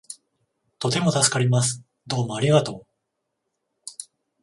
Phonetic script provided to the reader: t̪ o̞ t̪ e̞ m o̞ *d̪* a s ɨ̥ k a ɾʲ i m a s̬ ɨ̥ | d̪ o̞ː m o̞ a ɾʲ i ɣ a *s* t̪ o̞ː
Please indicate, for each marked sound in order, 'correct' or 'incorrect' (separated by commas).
incorrect, incorrect